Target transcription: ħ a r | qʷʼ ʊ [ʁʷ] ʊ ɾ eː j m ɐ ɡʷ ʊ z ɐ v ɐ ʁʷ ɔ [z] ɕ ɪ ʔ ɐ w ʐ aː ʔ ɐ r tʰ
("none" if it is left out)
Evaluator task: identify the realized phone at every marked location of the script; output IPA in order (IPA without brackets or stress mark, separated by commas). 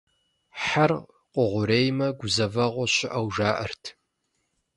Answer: ʁʷ, none